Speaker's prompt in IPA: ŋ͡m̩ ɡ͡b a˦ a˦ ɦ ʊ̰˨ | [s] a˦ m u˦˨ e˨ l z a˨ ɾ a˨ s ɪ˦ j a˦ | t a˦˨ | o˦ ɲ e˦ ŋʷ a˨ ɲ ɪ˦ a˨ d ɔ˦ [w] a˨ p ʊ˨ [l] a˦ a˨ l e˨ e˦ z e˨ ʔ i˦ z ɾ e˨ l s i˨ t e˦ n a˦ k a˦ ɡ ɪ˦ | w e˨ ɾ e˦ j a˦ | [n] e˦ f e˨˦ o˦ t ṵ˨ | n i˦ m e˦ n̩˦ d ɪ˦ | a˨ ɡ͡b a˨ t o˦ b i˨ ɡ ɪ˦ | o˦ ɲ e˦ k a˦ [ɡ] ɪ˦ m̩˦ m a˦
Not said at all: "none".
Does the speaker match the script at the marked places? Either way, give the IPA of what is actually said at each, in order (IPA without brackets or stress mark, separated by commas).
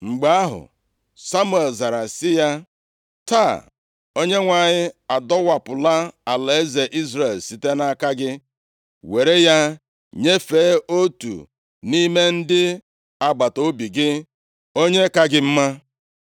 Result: s, w, l, ɲ, ɡ